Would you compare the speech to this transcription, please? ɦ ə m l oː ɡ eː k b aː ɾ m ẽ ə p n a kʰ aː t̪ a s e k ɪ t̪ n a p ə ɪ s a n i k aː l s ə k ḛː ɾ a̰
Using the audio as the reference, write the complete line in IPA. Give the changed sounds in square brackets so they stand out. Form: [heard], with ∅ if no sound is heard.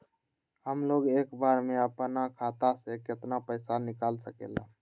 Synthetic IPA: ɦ ə m l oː ɡ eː k b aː ɾ m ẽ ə p n a kʰ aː t̪ a s e k ɪ t̪ n a p ə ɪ s a n [ɪ] k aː l s ə k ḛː [l] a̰